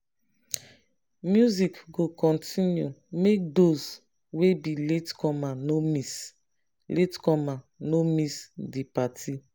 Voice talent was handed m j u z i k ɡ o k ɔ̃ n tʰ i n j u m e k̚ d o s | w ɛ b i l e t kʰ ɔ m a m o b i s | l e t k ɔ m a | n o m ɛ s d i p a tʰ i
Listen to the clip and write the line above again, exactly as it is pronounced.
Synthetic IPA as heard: m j u z i k ɡ o k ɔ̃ n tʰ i n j u m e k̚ d o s | w e b i l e t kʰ ɔ m a n o m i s | l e t k ɔ m a | n o m i s d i p a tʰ i